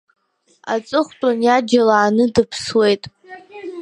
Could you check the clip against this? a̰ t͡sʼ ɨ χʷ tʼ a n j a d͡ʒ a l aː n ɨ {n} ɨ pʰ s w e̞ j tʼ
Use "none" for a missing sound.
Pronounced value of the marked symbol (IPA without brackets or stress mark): d